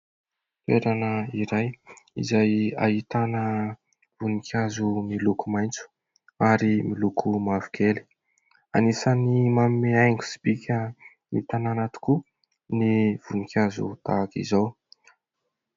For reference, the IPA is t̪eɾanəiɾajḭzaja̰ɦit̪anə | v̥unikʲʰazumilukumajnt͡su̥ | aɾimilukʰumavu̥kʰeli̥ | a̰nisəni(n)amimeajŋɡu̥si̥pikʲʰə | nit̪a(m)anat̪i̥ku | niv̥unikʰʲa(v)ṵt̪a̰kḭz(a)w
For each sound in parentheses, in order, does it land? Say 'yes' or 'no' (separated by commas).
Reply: no, no, no, yes